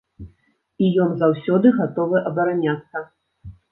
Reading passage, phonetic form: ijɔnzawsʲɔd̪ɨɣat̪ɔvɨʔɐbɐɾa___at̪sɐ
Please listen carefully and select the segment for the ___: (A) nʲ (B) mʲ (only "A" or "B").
A